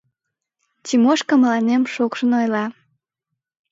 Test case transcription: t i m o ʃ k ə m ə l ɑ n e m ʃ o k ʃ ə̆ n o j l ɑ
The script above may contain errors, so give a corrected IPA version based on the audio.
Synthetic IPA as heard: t i m o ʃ k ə m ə l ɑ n e m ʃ o k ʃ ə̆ n o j l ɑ